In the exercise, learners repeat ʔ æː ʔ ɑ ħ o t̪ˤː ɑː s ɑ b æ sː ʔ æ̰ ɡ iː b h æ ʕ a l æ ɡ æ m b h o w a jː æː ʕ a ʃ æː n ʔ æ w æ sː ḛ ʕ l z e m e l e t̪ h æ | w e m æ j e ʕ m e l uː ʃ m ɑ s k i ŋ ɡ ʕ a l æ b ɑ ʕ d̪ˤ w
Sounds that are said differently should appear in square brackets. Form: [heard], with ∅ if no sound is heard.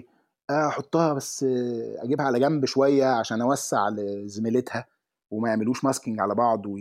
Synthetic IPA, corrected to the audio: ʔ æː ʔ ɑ ħ o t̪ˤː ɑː [h] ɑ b æ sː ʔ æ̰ ɡ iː b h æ ʕ a l æ ɡ æ m b [ʃ] o w [æ] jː [æ] ʕ a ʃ æː n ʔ æ w æ sː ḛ ʕ l z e m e l e t̪ h æ | w e m æ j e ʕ m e l uː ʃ m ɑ s k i ŋ ɡ ʕ a l æ b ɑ ʕ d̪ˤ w